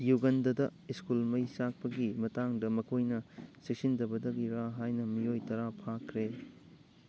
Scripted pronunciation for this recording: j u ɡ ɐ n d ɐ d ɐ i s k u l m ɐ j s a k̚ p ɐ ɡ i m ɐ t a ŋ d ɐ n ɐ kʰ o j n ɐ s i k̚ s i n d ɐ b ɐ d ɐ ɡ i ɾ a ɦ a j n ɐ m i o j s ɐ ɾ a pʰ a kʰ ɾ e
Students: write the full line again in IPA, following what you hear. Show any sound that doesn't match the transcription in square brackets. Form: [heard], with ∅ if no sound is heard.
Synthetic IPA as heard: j u ɡ ɐ n d ɐ d ɐ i s k u l m ɐ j s a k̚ p ɐ ɡ i m ɐ t a ŋ d ɐ [m] ɐ kʰ o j n ɐ s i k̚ s i n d ɐ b ɐ d ɐ ɡ i ɾ a ɦ a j n ɐ m i o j [t] ɐ ɾ a pʰ a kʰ ɾ e